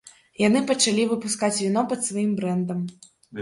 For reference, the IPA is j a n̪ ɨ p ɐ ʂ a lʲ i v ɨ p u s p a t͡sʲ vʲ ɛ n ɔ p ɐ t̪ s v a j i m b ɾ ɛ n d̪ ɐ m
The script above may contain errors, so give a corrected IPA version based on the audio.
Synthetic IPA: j a n̪ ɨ p ɐ t͡ʂ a lʲ i v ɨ p u s k a t͡sʲ vʲ i n ɔ p ɐ t̪ s v a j i m b ɾ ɛ n d̪ ɐ m